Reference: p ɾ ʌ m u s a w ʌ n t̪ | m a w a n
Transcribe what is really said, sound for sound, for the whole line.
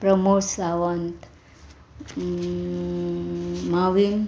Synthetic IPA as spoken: p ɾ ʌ m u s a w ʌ n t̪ | m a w i n